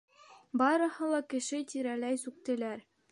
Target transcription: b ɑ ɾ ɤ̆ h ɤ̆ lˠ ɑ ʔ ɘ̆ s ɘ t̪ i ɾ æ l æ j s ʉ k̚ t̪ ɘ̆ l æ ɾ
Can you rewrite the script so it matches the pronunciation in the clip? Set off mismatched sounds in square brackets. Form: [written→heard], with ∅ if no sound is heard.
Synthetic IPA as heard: b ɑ ɾ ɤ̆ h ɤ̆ lˠ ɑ [ʔ→k] ɘ̆ [s→ʃ] ɘ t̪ i ɾ æ l æ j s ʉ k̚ t̪ ɘ̆ l æ ɾ